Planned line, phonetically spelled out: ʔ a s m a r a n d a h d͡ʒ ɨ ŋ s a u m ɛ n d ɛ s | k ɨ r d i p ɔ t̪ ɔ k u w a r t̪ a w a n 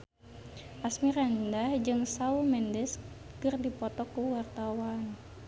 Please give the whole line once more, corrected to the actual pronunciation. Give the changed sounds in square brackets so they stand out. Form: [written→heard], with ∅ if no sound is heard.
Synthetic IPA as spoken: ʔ a s m [a→i] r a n d a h d͡ʒ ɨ ŋ s a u m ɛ n d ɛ s | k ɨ r d i p ɔ t̪ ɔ k u w a r t̪ a w a n